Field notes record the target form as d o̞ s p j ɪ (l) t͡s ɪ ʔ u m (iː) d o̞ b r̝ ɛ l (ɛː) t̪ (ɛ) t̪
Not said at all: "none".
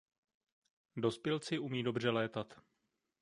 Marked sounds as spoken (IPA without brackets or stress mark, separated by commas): l, iː, ɛː, a